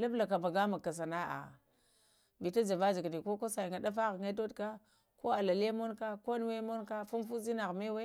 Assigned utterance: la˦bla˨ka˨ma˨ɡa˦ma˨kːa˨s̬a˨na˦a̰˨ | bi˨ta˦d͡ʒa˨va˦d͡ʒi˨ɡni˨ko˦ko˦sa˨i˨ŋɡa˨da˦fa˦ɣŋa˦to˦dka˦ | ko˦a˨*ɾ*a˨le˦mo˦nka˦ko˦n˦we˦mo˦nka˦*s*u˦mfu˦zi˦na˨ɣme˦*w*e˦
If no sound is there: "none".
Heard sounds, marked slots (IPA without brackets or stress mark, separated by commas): l, f, w